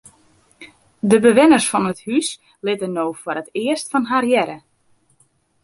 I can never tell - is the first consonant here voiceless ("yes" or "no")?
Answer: no